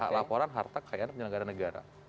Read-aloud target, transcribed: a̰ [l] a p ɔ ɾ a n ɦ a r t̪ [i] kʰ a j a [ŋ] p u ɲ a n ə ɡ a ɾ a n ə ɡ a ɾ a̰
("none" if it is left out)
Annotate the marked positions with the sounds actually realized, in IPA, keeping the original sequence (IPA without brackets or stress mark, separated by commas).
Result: l, a, n